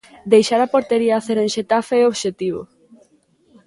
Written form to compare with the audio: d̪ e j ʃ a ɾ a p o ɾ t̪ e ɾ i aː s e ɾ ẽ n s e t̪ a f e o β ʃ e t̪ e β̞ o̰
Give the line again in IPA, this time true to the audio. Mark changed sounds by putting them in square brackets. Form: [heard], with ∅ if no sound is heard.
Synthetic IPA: d̪ e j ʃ a ɾ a p o ɾ t̪ e ɾ i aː [θ] e ɾ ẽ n [ʃ] e t̪ a f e o β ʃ e t̪ [i] β̞ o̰